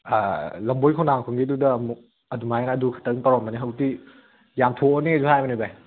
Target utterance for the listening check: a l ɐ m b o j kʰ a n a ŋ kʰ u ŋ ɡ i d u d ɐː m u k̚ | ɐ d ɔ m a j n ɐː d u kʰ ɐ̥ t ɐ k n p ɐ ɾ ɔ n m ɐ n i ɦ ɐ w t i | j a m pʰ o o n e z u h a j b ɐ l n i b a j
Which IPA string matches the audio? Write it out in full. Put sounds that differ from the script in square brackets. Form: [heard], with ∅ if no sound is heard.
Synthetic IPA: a l ɐ m b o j kʰ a n a ŋ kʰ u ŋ ɡ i d u d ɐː m u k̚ | ɐ d [u] m a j n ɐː d u kʰ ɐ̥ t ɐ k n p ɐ ɾ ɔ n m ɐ n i ɦ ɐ w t i | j a m [tʰ] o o n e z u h a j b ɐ [∅] n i b a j